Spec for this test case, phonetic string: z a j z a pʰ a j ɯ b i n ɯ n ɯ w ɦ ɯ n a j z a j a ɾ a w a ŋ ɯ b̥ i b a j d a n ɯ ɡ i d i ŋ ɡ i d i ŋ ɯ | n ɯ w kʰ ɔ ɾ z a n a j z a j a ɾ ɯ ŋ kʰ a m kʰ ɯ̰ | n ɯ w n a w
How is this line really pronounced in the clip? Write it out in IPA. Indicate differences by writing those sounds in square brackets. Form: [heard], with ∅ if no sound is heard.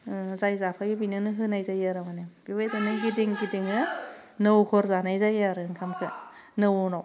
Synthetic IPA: z a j z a pʰ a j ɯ b i n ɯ n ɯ [∅] ɦ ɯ n a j z a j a ɾ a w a [n] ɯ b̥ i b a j d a n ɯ ɡ i d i ŋ ɡ i d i ŋ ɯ | n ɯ w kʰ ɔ ɾ z a n a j z a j a ɾ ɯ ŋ kʰ a m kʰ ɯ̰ | n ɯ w n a w